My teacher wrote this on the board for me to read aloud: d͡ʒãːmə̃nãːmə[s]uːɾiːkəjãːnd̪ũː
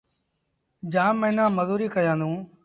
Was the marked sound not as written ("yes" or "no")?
yes